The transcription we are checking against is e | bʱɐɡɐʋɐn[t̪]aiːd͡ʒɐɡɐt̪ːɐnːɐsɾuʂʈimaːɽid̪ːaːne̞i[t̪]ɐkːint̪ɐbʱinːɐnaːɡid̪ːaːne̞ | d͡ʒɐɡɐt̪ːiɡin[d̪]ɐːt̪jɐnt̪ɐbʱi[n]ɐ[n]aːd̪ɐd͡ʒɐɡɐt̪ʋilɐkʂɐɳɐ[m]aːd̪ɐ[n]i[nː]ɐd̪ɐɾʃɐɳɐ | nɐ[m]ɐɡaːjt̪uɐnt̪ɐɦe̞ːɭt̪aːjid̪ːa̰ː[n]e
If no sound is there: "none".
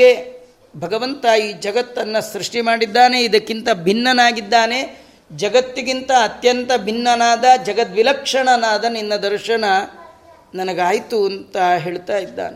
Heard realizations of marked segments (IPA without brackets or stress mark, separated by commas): t̪, d̪, t̪, nː, n, n, n, nː, n, n